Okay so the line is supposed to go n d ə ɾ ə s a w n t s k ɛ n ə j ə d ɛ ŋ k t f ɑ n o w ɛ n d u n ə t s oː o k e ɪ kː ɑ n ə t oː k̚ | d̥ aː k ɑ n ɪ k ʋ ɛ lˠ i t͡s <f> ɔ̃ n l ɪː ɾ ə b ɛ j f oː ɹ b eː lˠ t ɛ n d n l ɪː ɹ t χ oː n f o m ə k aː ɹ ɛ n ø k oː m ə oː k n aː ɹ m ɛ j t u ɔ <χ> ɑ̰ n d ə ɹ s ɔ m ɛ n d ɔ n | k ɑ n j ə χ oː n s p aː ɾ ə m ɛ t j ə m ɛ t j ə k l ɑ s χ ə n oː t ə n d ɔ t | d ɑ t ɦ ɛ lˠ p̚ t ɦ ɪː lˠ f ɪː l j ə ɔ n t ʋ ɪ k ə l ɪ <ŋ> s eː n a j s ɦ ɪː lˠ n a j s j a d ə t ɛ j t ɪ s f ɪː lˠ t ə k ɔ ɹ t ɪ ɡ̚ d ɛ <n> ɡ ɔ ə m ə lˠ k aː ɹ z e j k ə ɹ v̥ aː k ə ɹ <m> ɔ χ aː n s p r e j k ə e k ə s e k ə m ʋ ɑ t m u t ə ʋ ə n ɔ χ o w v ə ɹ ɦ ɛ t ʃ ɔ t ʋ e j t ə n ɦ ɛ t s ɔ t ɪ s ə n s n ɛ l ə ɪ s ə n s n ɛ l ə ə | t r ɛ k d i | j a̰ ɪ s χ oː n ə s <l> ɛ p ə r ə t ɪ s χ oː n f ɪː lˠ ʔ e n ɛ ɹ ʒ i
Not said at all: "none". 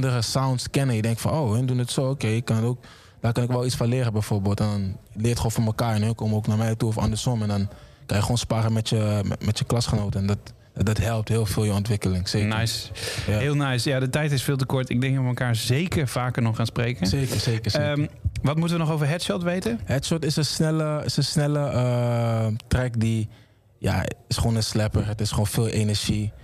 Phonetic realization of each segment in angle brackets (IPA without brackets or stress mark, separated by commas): f, f, ŋ, ŋ, n, l